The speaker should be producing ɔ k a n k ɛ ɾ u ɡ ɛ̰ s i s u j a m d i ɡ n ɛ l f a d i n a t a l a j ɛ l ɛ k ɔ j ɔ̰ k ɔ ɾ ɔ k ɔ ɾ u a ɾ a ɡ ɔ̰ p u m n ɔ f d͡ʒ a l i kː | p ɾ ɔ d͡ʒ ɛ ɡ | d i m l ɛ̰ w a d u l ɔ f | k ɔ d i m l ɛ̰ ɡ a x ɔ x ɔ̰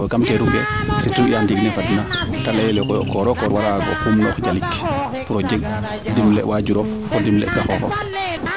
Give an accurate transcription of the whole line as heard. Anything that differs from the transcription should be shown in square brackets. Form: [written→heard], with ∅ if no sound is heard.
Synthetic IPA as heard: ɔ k a [n→m] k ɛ ɾ u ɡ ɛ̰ s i [s→t] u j a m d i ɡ n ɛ [l→∅] f a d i n a t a l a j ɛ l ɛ k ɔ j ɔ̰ k ɔ ɾ ɔ k ɔ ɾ [u→w] a ɾ a ɡ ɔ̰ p u m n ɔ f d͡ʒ a l i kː | p ɾ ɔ d͡ʒ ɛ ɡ | d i m l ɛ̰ w a [d→d͡ʒ] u [l→ɾ] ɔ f | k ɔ d i m l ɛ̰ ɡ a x ɔ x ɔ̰